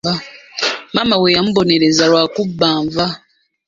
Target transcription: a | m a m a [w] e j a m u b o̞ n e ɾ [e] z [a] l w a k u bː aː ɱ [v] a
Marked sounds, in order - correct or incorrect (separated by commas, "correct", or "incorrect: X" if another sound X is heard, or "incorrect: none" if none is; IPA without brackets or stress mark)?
correct, correct, correct, correct